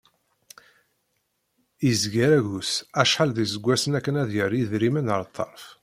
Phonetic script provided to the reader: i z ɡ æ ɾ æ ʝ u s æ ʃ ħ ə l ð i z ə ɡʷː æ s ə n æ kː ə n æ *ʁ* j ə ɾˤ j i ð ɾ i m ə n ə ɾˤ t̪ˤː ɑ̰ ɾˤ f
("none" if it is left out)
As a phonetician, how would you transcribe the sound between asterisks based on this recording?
ð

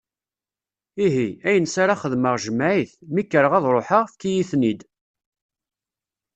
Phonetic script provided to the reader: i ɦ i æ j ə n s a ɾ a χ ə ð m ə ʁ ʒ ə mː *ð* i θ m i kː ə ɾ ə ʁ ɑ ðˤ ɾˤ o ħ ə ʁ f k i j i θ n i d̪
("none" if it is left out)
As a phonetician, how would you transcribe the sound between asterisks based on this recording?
ʕ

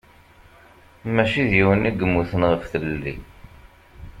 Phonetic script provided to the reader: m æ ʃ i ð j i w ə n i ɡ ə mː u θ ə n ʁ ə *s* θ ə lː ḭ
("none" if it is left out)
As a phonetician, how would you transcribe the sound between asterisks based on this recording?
f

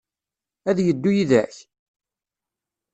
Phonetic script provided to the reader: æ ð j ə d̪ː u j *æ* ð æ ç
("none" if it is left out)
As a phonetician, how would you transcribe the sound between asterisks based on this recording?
i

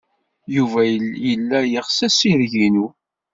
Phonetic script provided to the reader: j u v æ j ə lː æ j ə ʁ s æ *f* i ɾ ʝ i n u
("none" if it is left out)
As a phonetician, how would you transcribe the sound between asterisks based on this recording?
s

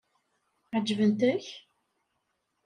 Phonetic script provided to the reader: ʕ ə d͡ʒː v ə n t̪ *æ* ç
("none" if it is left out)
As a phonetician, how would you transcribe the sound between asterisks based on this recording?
æ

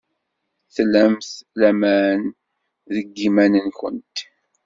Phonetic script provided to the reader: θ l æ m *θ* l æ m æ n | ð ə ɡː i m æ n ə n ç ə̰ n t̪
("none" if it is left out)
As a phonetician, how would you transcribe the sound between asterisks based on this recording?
θ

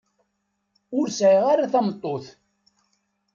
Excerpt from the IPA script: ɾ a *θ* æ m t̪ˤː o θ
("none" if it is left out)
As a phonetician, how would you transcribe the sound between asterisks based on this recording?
θ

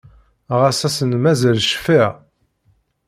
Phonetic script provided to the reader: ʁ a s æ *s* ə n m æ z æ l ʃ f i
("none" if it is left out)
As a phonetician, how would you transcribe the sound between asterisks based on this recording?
s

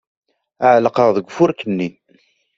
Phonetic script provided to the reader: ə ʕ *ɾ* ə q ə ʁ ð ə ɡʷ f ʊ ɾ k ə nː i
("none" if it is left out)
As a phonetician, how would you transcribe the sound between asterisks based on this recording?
l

